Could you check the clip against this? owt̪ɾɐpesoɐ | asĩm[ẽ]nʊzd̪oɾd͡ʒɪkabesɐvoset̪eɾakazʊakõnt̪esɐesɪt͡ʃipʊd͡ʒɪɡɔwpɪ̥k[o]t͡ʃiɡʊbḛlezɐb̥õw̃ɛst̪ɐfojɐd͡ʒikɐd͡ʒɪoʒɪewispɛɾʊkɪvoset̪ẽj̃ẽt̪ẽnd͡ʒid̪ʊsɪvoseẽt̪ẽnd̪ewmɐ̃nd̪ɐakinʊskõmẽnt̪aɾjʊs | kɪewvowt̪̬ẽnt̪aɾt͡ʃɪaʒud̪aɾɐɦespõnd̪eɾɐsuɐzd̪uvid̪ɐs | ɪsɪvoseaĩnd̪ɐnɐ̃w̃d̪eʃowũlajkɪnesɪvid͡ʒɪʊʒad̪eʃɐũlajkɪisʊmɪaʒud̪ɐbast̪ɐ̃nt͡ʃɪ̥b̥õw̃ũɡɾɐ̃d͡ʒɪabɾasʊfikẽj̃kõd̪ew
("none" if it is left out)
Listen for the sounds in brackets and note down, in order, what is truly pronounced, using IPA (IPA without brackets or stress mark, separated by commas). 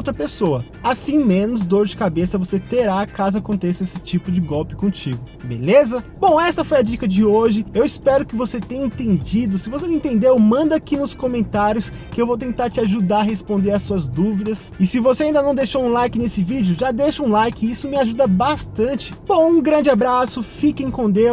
ẽ, õ